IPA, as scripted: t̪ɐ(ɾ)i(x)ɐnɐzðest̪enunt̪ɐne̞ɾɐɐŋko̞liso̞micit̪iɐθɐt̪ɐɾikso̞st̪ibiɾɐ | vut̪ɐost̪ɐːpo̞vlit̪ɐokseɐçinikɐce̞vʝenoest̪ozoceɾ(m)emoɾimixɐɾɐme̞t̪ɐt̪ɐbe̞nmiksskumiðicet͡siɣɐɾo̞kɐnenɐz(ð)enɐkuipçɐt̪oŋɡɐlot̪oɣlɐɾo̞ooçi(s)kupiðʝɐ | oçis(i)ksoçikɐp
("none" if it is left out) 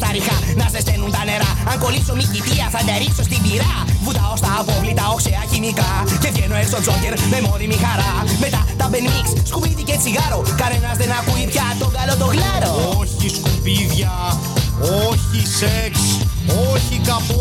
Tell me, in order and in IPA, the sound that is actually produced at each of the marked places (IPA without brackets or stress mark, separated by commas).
ɾ, x, m, ð, s, e